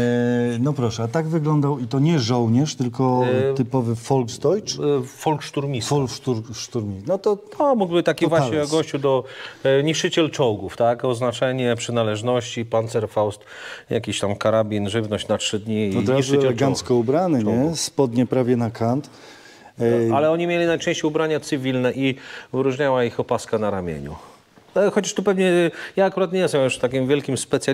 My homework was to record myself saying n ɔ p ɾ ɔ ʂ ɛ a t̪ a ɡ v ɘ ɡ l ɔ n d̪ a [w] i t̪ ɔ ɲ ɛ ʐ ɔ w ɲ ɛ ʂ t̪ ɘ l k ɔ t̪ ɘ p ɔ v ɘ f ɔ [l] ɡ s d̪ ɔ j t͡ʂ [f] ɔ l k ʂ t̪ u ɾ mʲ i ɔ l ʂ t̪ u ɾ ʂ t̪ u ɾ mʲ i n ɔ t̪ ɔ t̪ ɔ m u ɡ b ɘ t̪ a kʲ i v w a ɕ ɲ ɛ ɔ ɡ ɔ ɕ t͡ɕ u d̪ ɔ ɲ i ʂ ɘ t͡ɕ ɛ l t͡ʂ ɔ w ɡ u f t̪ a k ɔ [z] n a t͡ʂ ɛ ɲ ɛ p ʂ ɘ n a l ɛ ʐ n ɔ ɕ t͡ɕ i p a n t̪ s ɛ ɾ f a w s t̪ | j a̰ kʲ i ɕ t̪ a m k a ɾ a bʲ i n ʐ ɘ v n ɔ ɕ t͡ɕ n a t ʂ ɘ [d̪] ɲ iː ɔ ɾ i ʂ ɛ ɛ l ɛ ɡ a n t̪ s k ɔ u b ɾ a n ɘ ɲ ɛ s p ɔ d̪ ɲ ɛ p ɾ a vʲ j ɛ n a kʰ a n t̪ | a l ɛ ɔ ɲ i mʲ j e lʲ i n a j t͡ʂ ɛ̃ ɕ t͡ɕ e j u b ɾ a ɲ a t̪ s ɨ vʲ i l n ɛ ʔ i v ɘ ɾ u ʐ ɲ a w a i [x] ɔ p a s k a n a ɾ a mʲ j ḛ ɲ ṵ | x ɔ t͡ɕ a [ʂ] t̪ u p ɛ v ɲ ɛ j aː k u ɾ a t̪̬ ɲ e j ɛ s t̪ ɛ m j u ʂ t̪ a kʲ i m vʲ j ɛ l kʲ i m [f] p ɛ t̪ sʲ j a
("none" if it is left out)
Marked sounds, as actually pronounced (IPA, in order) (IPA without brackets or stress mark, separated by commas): w, l, f, z, d̪, x, ʂ, s